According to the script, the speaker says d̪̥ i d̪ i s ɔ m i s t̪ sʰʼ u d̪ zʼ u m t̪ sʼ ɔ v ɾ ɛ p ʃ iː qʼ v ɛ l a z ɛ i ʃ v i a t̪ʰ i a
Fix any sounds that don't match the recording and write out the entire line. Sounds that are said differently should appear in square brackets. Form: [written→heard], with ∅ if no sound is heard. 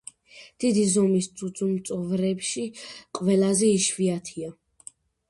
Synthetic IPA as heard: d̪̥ i d̪ i [s→z] ɔ m i s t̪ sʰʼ u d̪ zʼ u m t̪ sʼ ɔ v ɾ ɛ p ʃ [iː→i] qʼ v ɛ l a z ɛ i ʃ v i a t̪ʰ i a